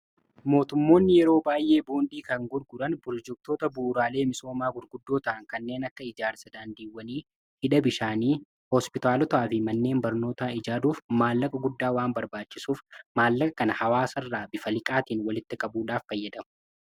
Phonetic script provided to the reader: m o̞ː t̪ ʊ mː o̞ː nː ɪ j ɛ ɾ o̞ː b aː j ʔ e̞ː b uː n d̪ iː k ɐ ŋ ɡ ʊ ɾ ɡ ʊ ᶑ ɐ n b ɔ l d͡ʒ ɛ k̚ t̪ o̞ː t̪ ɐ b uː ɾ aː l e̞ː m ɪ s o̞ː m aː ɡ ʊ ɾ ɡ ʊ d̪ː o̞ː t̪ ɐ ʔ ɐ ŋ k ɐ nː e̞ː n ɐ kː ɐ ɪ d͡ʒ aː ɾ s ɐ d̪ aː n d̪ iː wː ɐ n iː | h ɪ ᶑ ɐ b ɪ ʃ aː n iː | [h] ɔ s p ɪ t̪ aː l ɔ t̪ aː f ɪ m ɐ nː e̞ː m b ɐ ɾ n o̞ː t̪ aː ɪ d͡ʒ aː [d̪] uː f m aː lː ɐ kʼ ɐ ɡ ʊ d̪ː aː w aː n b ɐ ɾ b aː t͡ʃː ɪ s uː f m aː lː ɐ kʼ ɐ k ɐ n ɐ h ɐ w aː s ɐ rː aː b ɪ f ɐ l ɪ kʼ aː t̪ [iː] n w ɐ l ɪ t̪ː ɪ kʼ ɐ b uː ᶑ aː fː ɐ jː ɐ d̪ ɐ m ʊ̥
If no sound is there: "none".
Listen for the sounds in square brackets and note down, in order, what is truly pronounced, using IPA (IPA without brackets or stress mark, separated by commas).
h, d̪, iː